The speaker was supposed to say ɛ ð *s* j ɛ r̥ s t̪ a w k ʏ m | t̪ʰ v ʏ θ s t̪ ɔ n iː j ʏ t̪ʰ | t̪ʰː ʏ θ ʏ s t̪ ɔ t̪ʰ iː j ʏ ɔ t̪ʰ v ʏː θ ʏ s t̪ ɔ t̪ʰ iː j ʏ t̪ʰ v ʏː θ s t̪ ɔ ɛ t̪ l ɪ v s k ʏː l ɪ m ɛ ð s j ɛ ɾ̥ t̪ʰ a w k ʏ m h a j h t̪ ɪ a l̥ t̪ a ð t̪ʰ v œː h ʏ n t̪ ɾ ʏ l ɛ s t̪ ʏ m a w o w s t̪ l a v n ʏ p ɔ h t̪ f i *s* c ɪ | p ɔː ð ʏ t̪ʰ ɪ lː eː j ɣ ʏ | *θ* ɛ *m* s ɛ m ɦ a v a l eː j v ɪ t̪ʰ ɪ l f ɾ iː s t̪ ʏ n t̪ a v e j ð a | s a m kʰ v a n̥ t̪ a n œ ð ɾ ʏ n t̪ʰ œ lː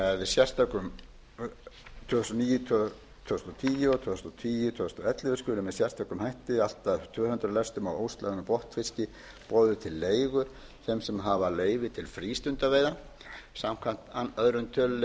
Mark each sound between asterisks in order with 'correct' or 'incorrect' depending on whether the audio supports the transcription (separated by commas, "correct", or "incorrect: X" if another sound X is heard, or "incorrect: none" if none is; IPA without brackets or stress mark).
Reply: correct, correct, correct, correct